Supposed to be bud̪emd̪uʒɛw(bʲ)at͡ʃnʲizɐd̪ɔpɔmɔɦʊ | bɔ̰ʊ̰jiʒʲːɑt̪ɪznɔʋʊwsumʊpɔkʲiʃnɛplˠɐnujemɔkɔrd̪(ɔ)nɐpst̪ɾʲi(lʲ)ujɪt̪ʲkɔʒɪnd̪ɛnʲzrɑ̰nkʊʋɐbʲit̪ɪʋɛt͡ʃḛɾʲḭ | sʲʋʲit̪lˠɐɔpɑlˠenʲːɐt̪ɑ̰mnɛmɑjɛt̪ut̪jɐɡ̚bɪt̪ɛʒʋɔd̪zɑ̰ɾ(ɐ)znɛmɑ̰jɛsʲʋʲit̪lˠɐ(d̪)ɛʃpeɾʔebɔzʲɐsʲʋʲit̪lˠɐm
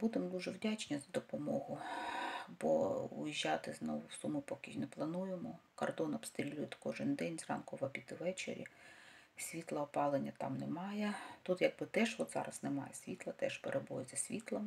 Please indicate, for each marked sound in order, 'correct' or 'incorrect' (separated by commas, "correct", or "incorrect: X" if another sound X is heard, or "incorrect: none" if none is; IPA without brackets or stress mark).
incorrect: dʲ, correct, correct, correct, incorrect: t̪